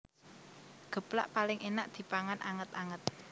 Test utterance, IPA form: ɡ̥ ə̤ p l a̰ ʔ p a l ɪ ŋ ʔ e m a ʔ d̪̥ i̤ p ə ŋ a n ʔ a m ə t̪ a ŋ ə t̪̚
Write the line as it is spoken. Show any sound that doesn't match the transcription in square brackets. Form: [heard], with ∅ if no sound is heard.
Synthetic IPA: ɡ̥ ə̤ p l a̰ ʔ p a l ɪ ŋ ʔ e [n] a ʔ d̪̥ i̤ p [a] ŋ a n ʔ a [ŋ] ə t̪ a ŋ ə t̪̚